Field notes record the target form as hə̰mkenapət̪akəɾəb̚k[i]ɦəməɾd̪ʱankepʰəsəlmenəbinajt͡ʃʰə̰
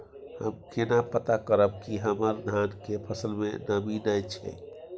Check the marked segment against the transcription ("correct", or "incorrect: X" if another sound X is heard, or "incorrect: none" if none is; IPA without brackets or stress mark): correct